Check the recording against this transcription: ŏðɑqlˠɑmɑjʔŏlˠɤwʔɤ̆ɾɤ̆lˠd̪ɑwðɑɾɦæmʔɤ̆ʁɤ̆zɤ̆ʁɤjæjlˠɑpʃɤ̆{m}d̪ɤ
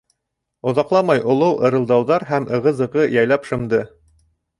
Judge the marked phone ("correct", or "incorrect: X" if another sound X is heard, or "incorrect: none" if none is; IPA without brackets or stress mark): correct